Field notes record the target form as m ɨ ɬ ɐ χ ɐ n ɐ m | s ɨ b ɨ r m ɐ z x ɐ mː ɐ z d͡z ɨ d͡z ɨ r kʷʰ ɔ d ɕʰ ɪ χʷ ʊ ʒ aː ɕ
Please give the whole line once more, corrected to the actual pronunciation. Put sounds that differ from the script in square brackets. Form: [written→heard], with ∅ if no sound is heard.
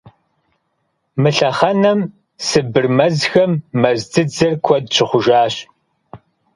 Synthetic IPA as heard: m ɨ ɬ ɐ χ ɐ n ɐ m | s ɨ b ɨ r m ɐ z x ɐ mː ɐ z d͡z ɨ d͡z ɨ r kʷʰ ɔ d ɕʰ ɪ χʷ ʊ ʒ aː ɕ